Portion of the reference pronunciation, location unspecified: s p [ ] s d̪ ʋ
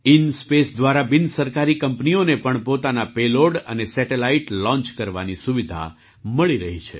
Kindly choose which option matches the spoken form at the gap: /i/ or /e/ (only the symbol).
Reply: e